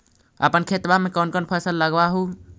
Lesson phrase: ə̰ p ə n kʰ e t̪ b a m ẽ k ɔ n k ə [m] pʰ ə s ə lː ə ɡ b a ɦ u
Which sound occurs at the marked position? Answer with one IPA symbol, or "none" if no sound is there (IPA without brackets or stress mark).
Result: n